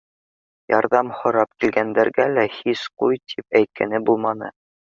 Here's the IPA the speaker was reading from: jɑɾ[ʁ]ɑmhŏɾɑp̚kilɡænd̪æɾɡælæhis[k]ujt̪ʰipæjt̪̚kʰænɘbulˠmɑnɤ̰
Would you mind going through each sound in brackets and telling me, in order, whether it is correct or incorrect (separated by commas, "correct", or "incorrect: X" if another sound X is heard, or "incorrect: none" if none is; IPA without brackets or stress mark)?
incorrect: ð, incorrect: q